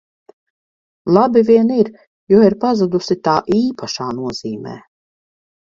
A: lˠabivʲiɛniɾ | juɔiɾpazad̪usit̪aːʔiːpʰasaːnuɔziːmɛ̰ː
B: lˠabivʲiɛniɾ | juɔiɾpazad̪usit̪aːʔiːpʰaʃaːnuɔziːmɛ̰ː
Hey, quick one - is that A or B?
B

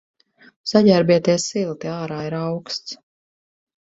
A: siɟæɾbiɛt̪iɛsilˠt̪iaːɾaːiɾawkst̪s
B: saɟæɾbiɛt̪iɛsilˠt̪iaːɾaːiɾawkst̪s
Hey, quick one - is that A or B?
B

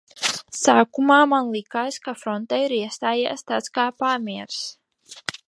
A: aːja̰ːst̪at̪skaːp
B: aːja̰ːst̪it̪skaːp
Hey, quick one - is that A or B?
A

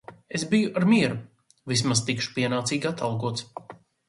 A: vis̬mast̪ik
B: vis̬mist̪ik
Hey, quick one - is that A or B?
A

